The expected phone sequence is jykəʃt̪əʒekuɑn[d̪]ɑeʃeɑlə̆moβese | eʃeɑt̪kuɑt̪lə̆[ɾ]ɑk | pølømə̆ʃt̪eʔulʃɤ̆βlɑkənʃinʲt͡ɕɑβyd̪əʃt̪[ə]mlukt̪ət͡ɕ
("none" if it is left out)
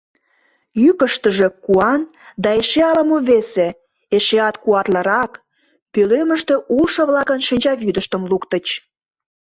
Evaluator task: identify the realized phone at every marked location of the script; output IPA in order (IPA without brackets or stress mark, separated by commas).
d̪, ɾ, ə